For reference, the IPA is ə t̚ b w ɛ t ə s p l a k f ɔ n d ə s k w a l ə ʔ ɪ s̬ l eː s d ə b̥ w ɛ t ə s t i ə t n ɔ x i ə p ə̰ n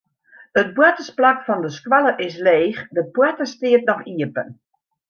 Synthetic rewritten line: ə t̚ b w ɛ t ə s p l a k f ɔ n d ə s k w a l ə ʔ ɪ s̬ l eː x d ə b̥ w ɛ t ə s t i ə t n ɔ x i ə p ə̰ n